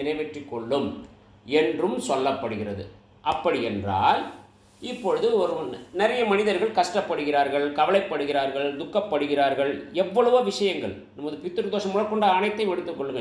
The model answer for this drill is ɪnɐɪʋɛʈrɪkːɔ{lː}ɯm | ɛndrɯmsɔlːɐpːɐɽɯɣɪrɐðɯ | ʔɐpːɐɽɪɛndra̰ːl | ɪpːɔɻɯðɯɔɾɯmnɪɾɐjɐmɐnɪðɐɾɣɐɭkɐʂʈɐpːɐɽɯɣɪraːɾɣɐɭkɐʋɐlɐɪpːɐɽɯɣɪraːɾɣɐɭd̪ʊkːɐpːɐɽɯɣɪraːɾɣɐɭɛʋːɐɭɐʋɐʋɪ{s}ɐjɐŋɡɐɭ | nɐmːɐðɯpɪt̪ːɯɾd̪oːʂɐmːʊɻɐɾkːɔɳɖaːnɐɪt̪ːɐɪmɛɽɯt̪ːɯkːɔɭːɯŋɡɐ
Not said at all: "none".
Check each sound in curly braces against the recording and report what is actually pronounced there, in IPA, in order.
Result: ɭː, ʂ

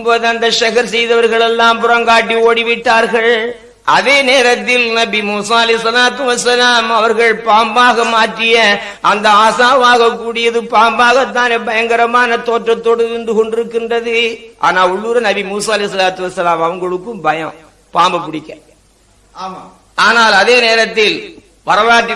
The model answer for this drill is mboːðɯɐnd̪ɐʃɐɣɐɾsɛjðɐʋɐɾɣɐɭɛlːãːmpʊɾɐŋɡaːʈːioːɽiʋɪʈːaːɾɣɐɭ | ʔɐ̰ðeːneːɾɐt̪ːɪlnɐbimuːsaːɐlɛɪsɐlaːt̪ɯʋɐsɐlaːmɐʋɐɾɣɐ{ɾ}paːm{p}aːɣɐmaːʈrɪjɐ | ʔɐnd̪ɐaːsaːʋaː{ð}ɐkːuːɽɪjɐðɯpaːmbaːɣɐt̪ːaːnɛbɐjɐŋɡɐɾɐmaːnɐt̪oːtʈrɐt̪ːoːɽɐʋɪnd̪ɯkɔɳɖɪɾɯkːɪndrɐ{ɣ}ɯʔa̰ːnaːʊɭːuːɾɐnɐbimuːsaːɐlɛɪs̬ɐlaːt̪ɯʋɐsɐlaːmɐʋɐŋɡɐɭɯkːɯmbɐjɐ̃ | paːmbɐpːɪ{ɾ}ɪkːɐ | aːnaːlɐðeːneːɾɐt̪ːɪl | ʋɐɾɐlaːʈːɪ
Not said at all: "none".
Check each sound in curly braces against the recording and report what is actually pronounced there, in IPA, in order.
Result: ɭ, b, ɣ, ð, ɽ

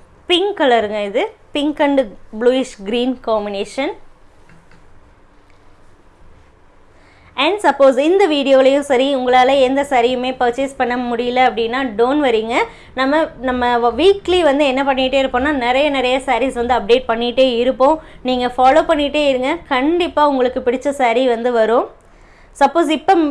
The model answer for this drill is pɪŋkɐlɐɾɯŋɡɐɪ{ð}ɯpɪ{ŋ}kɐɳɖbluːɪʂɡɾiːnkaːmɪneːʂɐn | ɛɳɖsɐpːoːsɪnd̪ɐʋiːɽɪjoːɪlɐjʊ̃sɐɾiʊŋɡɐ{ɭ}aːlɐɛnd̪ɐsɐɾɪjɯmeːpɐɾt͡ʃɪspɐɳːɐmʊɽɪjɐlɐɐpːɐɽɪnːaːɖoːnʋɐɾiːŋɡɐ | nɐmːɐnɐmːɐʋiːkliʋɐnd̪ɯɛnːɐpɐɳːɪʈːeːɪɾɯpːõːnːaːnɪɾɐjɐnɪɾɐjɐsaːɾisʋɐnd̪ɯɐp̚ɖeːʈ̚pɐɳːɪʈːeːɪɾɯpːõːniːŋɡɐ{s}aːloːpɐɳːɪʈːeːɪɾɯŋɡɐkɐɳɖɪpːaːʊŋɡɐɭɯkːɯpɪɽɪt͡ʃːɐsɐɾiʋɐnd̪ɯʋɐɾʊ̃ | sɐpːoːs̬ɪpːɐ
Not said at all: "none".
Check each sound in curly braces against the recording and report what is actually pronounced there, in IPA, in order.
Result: ð, ŋ, ɭ, f

